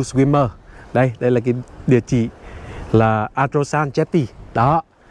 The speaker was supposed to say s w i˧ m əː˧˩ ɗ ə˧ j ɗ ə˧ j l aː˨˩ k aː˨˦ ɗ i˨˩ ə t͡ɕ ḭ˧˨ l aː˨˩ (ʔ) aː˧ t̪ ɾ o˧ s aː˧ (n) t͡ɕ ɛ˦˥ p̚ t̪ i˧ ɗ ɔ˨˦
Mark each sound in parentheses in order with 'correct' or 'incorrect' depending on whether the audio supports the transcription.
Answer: correct, correct

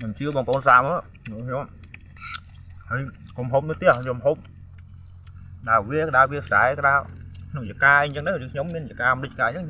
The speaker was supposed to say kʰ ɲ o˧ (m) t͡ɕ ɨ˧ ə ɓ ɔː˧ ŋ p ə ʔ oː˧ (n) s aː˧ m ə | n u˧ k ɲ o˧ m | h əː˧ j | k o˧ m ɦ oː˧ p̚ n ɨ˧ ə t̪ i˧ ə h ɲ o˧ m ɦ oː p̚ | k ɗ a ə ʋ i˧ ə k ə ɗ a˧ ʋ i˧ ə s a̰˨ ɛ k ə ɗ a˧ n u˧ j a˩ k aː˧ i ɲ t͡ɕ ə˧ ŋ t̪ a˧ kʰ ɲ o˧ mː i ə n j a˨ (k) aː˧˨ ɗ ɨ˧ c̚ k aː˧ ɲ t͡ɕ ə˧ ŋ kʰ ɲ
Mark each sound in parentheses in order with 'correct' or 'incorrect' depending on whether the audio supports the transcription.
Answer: correct, correct, correct

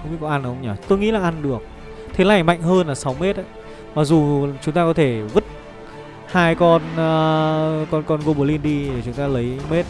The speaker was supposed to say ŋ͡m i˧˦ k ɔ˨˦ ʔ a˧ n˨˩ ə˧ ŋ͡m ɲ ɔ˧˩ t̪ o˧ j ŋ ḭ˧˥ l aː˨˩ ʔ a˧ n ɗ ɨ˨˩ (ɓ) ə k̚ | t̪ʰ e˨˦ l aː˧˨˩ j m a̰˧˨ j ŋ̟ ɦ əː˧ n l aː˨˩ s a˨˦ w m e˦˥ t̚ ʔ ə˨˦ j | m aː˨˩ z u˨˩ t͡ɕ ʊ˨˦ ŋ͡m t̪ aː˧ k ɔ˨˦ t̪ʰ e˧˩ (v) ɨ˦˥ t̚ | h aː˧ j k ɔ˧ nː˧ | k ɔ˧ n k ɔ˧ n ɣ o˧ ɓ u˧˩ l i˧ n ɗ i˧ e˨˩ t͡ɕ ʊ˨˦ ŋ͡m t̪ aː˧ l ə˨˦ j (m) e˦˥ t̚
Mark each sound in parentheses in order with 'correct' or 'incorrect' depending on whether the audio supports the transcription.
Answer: incorrect: none, correct, correct

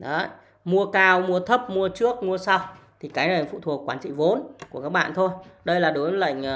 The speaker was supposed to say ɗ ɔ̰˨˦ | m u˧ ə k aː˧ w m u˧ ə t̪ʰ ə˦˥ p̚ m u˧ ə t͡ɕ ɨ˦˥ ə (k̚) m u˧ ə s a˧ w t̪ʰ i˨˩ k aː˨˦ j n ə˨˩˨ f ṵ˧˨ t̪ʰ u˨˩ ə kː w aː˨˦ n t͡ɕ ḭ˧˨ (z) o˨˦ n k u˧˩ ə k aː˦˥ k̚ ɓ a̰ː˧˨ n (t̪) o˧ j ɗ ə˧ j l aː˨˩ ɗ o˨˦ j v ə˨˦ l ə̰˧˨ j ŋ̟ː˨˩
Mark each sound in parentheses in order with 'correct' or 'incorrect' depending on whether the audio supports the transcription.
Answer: correct, incorrect: v, incorrect: t̪ʰ

